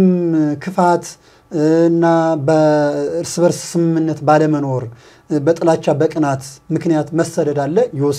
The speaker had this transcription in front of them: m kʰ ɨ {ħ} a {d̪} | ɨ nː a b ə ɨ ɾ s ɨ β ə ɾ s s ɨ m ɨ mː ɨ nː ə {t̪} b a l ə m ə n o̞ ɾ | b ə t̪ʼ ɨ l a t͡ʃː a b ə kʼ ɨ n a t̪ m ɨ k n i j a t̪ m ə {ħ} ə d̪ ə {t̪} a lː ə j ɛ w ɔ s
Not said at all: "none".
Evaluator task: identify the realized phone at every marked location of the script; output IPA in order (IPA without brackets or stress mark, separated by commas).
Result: f, t̪, t̪, s, d̪